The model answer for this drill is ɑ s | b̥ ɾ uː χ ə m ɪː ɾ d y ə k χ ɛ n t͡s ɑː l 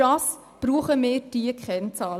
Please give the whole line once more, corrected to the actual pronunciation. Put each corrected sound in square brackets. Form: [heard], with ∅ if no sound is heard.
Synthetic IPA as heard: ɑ s | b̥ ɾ uː χ ə m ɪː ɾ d [i] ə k χ ɛ n t͡s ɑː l